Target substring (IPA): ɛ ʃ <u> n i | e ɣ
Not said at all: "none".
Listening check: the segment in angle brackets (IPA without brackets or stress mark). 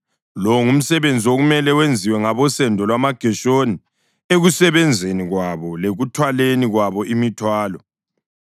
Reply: o